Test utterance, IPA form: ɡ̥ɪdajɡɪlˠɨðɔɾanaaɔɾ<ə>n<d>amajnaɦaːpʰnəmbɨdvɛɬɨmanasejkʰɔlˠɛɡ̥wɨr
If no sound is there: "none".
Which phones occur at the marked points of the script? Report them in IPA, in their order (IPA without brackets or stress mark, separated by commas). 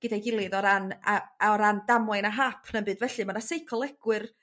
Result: a, d